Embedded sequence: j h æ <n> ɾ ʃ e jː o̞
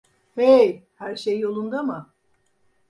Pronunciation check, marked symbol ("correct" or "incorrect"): incorrect